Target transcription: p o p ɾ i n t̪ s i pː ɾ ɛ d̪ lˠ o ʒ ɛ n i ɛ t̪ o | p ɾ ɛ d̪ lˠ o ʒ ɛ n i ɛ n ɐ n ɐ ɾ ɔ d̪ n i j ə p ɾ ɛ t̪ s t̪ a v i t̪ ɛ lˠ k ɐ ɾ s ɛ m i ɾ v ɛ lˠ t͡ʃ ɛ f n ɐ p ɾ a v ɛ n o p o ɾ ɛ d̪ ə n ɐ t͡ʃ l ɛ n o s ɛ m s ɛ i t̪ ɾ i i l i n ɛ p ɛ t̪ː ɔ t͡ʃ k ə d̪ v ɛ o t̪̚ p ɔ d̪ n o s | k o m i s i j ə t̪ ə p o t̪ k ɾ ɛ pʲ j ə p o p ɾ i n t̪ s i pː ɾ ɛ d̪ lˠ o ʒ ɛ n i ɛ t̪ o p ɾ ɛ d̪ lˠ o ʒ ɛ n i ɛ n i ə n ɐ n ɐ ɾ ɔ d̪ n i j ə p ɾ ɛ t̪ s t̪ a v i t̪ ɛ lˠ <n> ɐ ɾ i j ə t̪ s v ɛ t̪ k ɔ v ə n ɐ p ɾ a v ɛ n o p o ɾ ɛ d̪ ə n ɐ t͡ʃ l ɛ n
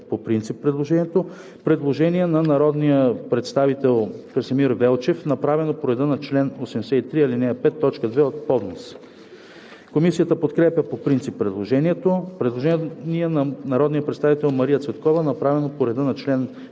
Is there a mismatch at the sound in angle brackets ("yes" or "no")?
yes